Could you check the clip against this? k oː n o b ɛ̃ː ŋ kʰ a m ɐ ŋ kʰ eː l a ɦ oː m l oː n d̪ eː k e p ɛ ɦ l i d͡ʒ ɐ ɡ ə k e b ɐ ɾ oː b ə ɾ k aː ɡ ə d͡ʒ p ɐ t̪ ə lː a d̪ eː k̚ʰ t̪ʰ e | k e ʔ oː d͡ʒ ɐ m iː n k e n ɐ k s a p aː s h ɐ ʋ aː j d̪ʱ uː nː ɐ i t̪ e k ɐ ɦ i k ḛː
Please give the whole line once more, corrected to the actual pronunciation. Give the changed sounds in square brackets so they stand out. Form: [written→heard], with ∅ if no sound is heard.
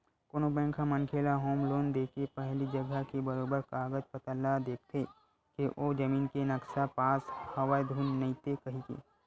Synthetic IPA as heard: k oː n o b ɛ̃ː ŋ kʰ a m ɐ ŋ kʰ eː l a ɦ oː m l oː n d̪ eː k e p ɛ ɦ l i d͡ʒ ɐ ɡ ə k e b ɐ ɾ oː b ə ɾ k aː ɡ ə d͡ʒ p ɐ t̪ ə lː a d̪ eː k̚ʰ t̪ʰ e | k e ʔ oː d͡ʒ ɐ m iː n k e n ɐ k s a p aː s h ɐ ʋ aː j d̪ʱ uː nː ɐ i t̪ e k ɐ ɦ i k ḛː